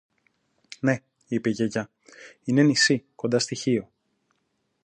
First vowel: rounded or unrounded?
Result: unrounded